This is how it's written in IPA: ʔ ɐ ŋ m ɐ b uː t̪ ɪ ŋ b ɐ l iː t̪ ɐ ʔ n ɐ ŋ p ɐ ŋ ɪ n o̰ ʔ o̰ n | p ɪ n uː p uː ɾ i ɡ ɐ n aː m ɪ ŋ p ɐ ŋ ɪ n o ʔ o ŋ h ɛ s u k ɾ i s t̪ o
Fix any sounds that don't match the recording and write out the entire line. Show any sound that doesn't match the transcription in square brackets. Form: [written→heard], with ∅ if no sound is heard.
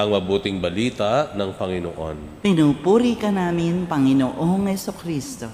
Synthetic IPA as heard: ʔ ɐ ŋ m ɐ b uː t̪ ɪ ŋ b ɐ l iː t̪ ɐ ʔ n ɐ ŋ p ɐ ŋ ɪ n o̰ ʔ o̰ n | p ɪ n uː p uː ɾ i [ɡ→k] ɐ n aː m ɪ [ŋ→n] p ɐ ŋ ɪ n o ʔ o ŋ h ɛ s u k ɾ i s t̪ o